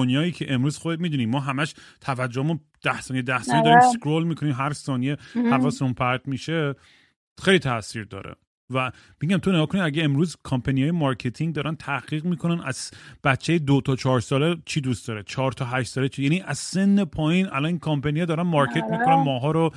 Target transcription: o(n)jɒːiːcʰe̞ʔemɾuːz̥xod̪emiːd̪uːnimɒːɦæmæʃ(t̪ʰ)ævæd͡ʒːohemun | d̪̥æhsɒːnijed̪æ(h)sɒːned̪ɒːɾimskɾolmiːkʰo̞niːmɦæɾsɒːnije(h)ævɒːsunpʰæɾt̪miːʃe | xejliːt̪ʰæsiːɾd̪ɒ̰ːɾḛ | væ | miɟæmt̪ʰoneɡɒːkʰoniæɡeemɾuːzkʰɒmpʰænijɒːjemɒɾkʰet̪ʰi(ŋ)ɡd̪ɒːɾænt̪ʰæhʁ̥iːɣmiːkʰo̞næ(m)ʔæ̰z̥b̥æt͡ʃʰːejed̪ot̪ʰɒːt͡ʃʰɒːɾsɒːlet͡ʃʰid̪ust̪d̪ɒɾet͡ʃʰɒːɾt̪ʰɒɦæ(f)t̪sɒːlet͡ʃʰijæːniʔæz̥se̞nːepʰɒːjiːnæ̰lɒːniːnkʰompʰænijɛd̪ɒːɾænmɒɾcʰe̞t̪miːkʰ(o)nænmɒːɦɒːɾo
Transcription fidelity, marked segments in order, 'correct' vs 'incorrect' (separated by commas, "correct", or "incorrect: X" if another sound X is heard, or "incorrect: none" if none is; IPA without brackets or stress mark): correct, correct, correct, correct, correct, incorrect: n, incorrect: ʃ, correct